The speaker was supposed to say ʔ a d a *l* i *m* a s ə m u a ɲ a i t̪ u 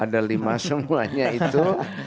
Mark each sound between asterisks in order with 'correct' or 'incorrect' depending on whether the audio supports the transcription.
correct, correct

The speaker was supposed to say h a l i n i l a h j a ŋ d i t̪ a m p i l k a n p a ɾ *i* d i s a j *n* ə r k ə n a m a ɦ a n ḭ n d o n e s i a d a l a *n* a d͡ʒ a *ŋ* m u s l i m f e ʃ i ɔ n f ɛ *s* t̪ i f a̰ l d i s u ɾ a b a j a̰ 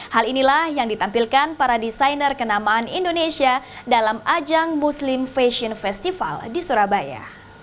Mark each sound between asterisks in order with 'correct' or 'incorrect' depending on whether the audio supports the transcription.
incorrect: a, correct, incorrect: m, correct, correct

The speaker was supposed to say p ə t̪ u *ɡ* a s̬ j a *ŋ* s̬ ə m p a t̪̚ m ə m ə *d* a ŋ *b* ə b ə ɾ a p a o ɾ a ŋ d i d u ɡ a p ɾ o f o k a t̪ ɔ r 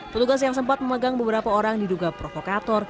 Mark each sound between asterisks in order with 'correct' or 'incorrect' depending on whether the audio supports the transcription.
correct, correct, incorrect: ɡ, correct

